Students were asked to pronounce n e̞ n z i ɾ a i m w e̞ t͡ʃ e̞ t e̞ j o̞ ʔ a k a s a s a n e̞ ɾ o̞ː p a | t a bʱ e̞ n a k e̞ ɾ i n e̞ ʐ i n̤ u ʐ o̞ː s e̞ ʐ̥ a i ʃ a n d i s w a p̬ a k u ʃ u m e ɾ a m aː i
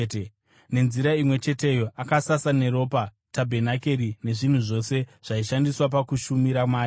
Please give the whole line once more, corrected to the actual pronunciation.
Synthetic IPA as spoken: n e̞ n z i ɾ a i m w e̞ t͡ʃ e̞ t e̞ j o̞ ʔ a k a s a s a n e̞ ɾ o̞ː p a | t a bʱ e̞ n a k e̞ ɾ i n e̞ ʐ i n̤ u ʐ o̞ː s e̞ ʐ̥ a i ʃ a n d i s w a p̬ a k u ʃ u m i ɾ a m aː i